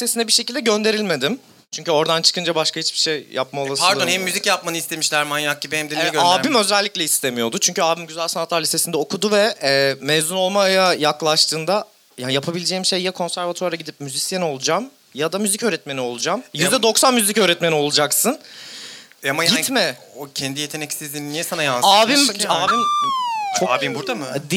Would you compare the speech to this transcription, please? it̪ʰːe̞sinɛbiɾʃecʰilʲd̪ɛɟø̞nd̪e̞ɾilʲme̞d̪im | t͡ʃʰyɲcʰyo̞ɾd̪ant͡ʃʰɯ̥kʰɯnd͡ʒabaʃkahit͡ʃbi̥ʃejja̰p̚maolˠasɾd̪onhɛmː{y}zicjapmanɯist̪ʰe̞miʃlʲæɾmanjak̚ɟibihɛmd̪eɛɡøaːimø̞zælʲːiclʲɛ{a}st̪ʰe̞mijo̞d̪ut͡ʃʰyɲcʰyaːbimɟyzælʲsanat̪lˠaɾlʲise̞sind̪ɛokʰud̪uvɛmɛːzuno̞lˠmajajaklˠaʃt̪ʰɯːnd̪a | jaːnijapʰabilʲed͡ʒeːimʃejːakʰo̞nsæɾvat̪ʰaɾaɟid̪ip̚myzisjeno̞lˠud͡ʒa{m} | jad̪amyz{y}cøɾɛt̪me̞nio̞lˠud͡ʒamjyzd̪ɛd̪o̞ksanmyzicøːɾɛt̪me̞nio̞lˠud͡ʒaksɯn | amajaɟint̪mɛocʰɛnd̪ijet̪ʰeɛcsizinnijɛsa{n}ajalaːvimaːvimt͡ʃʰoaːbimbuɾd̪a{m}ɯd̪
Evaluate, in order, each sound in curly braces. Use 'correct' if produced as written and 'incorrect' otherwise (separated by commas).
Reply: correct, incorrect, correct, incorrect, correct, correct